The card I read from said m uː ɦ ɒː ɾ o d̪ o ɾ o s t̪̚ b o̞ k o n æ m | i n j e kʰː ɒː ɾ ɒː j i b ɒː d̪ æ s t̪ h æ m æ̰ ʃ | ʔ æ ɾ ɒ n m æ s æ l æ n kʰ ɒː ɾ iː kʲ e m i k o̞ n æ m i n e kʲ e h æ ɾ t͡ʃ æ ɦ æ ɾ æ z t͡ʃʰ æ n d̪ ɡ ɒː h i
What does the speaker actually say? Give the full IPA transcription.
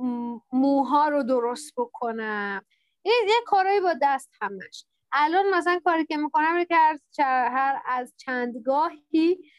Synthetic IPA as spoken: m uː ɦ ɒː ɾ o d̪ o ɾ o s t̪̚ b o̞ kʰ o n æ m | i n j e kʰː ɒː ɾ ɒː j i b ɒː d̪ æ s t̪ h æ m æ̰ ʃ | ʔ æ l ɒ n m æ s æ l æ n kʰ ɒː ɾ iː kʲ e m i k o̞ n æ m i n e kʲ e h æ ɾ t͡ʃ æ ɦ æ ɾ æ z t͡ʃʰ æ n d̪ ɡ ɒː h i